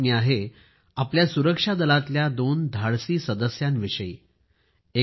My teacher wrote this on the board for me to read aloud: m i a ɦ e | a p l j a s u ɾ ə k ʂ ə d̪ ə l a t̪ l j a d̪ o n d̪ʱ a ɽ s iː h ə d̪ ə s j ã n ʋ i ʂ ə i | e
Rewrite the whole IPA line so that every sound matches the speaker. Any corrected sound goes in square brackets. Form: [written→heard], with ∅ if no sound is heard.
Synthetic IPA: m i a ɦ e | a p l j a s u ɾ ə k ʂ [ə→a] d̪ ə l a t̪ l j a d̪ o n d̪ʱ a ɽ s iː [h→s] ə d̪ ə s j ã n ʋ i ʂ ə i | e